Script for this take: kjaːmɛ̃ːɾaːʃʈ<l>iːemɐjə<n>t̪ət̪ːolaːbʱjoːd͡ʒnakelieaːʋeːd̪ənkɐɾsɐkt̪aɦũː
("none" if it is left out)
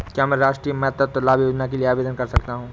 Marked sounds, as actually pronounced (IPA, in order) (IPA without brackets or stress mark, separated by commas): ɾ, none